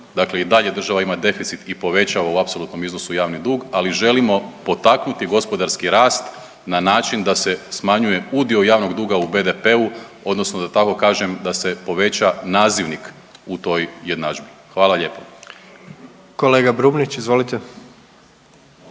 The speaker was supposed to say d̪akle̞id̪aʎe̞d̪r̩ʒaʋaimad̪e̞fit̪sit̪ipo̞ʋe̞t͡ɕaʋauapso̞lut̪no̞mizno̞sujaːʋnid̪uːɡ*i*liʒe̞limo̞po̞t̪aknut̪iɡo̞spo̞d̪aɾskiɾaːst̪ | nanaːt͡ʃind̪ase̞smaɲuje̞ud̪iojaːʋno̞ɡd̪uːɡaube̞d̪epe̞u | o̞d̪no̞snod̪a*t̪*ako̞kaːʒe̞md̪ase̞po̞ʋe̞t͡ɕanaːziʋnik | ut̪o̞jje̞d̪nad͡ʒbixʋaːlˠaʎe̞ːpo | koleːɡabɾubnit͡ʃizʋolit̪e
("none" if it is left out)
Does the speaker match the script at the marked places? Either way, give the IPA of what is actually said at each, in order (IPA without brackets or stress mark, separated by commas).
a, t̪